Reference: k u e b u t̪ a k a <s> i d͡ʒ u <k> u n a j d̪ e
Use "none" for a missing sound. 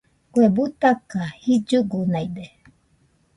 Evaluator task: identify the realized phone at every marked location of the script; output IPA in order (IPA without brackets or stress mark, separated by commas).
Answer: h, ɡ